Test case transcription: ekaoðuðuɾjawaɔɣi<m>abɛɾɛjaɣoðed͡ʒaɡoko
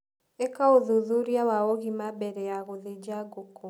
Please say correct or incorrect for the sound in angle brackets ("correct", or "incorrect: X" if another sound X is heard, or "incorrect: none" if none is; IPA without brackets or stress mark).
correct